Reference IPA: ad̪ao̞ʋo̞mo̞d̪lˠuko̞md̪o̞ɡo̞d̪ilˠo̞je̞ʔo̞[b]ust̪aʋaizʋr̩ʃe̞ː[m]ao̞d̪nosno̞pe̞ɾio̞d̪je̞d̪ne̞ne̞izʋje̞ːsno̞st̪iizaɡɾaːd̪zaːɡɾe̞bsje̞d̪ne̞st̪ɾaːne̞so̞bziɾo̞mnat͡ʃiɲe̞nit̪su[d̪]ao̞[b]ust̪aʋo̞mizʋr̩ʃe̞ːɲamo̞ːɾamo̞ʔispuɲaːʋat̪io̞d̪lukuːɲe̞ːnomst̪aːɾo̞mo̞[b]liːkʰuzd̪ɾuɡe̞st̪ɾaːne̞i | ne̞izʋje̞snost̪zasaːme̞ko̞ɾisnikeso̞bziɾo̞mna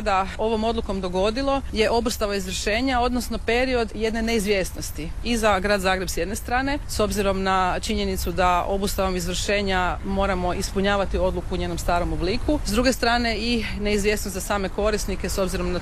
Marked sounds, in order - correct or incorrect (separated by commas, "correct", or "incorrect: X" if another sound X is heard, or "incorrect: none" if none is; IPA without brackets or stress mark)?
correct, incorrect: ɲ, correct, correct, correct